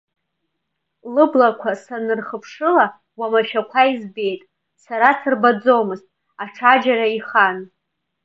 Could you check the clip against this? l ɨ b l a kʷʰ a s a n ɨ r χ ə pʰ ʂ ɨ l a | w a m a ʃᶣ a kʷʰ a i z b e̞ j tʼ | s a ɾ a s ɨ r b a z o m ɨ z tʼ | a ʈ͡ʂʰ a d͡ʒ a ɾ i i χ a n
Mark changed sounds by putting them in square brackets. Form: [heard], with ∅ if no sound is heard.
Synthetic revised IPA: l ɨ b l a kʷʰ a s a n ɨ r χ ə pʰ ʂ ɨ l a | w a m a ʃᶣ a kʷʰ a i z b e̞ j tʼ | s a ɾ a s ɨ r b a [d͡z] o m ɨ z tʼ | a ʈ͡ʂʰ a d͡ʒ a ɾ [a] i χ a n